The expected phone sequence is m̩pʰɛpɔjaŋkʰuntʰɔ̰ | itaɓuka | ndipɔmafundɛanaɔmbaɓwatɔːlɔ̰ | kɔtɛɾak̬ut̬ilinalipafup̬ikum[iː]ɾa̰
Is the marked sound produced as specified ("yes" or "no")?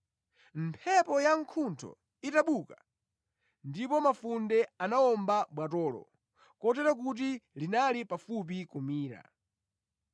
yes